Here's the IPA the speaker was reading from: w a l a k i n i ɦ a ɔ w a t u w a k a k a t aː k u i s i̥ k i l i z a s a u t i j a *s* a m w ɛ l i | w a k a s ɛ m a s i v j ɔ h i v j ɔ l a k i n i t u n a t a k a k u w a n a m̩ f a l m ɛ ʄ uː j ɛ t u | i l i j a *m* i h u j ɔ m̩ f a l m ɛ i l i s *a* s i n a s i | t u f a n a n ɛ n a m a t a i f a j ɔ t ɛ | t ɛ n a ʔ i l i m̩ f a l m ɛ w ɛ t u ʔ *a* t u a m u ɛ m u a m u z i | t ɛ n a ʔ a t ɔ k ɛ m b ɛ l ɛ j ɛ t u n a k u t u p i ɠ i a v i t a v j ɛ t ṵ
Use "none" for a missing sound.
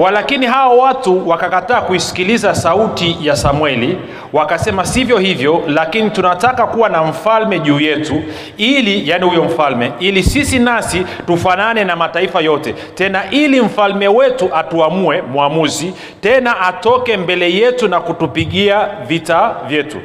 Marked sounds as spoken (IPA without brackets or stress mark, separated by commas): s, n, i, a